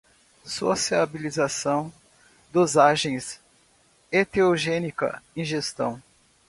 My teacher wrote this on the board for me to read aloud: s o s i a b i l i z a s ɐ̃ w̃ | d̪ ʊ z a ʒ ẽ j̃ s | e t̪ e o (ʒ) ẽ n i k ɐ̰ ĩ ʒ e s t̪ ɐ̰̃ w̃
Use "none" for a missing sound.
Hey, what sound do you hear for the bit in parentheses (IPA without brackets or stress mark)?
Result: ʒ